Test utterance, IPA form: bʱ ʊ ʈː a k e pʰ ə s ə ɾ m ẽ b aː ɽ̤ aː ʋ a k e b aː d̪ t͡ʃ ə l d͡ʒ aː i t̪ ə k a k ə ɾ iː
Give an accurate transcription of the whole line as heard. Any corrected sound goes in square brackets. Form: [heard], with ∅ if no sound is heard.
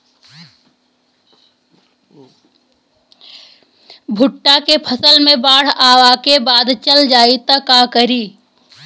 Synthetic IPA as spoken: bʱ ʊ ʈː a k e pʰ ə s ə [l] m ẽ b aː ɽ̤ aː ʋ a k e b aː d̪ t͡ʃ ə l d͡ʒ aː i t̪ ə k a k ə ɾ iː